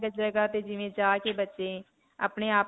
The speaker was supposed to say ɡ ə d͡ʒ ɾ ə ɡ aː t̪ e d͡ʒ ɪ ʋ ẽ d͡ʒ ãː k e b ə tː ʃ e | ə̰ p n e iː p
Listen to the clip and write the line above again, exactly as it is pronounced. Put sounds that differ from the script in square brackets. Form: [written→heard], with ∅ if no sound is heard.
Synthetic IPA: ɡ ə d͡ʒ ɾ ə ɡ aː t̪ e d͡ʒ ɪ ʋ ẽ d͡ʒ [ãː→aː] k e b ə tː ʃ e | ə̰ p n e [iː→aː] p